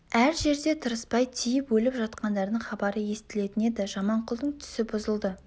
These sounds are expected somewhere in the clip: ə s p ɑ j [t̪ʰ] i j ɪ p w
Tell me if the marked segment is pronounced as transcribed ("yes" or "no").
yes